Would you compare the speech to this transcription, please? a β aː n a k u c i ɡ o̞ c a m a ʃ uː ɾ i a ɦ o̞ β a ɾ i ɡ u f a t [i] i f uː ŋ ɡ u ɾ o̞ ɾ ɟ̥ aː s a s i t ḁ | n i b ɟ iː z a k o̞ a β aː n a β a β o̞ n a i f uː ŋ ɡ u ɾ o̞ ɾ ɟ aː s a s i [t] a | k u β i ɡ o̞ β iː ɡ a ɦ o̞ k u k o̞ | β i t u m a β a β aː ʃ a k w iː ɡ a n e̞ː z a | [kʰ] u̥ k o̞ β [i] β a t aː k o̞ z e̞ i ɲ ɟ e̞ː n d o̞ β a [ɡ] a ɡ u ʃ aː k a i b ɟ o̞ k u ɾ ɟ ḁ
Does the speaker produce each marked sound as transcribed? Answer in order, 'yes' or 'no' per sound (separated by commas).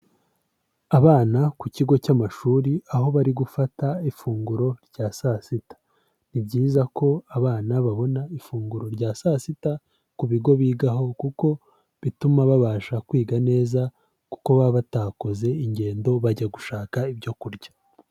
no, yes, no, no, no